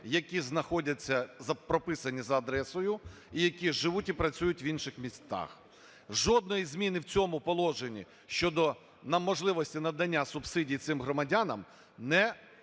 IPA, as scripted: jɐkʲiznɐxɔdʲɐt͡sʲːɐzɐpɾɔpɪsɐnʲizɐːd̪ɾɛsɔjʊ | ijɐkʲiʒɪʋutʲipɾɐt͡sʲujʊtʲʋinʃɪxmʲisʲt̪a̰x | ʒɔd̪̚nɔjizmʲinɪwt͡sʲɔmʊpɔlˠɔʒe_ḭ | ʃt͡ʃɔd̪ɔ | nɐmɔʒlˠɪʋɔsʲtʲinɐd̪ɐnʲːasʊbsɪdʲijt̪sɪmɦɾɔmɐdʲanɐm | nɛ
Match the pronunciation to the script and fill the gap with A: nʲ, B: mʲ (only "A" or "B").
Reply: A